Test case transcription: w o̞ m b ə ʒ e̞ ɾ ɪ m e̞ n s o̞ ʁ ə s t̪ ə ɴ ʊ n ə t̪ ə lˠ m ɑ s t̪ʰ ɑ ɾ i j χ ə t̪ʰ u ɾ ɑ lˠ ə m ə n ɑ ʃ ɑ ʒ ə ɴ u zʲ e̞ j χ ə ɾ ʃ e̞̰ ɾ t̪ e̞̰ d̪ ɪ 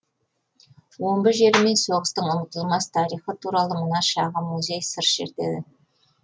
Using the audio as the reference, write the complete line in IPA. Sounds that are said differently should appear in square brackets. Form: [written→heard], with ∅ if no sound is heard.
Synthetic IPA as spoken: w o̞ m b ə ʒ e̞ ɾ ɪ m e̞ n s o̞ ʁ ə s t̪ ə ɴ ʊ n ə t̪ ə lˠ m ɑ s t̪ʰ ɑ ɾ i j χ ə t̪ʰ u ɾ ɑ lˠ ə m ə n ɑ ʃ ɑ [ʒ→ʁ] ə [ɴ→m] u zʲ e̞ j [χ→s] ə ɾ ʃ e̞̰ ɾ t̪ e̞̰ d̪ ɪ